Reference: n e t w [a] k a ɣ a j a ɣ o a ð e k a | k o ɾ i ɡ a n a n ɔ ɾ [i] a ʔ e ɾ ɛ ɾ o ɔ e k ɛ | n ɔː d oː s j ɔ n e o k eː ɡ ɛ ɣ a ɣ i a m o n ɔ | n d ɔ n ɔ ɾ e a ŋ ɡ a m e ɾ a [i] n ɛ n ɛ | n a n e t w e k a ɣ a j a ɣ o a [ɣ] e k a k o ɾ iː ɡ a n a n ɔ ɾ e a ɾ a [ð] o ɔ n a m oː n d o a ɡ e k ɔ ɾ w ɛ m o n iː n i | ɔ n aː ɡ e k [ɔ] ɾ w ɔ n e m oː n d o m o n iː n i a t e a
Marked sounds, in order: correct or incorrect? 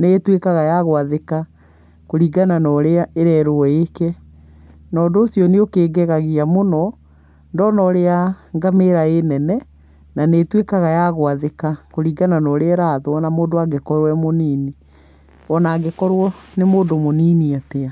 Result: incorrect: e, incorrect: e, incorrect: e, incorrect: ð, correct, correct

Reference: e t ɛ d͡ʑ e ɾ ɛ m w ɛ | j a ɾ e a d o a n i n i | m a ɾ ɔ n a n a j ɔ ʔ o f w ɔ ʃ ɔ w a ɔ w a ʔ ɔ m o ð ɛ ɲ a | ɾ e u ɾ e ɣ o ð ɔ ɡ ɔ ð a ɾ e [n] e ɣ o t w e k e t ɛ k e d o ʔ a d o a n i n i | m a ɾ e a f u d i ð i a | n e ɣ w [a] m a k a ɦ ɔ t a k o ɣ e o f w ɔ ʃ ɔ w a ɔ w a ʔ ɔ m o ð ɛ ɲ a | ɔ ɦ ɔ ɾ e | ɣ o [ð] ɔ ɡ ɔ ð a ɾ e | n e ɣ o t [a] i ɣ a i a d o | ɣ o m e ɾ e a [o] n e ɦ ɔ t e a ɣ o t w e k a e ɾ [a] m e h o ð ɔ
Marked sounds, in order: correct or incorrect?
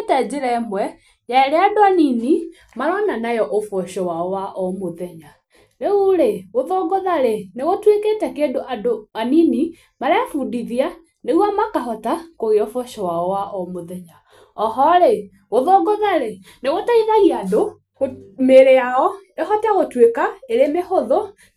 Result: correct, correct, correct, correct, incorrect: ɔ, incorrect: e

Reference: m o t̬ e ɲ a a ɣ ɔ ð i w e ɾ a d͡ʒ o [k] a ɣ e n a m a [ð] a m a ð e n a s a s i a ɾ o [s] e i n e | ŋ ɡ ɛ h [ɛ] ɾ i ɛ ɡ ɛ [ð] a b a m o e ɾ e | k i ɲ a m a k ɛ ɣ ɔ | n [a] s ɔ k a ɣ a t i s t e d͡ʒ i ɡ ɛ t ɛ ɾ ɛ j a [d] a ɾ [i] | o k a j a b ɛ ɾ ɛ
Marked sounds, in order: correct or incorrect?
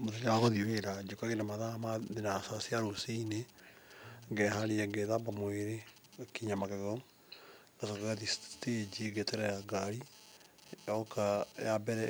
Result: correct, correct, correct, incorrect: a, correct, correct, incorrect: ɡ, correct

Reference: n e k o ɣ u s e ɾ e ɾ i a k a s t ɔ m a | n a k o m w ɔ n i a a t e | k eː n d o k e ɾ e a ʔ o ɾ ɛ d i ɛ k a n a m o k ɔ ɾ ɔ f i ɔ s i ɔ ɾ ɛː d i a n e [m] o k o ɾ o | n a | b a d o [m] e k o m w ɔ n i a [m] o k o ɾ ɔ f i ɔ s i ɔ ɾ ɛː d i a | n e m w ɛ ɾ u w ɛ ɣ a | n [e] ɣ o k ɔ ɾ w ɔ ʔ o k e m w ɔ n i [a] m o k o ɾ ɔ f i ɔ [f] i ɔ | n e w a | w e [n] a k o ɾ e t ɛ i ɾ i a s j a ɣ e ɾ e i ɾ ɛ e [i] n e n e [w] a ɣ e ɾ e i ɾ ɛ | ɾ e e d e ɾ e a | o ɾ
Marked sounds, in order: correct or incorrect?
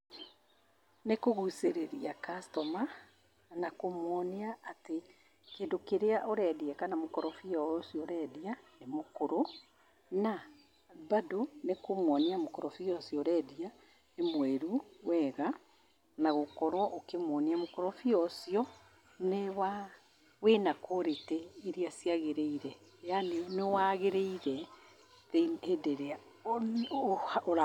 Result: correct, incorrect: n, correct, incorrect: a, correct, incorrect: s, correct, incorrect: a, correct

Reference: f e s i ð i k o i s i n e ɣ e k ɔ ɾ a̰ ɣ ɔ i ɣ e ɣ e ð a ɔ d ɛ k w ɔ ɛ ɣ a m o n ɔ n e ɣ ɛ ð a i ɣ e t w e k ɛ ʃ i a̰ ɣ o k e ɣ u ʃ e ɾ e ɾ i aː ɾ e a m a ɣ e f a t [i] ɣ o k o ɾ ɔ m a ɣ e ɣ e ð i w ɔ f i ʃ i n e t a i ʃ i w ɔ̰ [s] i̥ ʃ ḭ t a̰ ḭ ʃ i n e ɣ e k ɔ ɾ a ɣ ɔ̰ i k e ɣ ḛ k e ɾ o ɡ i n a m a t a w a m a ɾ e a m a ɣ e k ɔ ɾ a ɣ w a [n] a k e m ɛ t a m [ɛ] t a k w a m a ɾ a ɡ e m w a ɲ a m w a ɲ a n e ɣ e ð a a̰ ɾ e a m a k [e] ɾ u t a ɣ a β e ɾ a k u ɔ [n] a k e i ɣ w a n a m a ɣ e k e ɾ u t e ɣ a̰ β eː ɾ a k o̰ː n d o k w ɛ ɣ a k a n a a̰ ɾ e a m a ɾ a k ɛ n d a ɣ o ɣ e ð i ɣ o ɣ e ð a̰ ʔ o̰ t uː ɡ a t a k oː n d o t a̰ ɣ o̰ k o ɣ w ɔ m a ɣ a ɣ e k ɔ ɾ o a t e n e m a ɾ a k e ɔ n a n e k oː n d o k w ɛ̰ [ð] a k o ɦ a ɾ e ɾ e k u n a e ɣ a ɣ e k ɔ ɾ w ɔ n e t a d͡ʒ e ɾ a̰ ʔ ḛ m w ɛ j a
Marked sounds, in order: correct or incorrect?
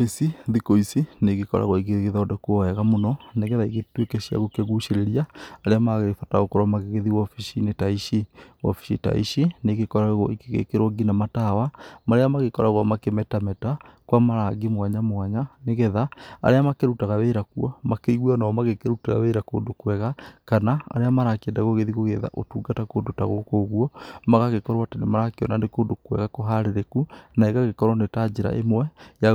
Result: incorrect: a, incorrect: f, incorrect: m, correct, correct, incorrect: m, incorrect: ɣ

